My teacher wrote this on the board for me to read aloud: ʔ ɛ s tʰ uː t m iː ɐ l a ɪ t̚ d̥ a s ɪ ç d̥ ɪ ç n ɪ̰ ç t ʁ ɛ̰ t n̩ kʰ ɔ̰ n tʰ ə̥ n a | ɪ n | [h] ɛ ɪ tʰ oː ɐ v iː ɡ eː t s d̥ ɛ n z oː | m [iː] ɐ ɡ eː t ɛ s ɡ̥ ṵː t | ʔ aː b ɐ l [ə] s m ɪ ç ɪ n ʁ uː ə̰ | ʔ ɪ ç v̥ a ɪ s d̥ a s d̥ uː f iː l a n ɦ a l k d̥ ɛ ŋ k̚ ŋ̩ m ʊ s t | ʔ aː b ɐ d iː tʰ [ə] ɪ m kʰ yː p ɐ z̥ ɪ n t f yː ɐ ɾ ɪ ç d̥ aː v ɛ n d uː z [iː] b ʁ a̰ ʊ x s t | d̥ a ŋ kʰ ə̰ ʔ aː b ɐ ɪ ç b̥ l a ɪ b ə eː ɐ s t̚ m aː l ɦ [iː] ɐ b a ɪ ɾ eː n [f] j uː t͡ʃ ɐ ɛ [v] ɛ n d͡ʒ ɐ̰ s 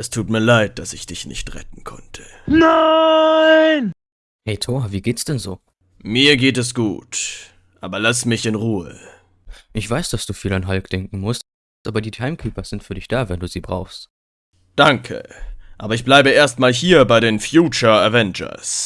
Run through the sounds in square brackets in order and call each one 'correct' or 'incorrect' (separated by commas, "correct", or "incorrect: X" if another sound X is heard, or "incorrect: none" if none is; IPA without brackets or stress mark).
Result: correct, correct, incorrect: a, incorrect: a, correct, correct, correct, correct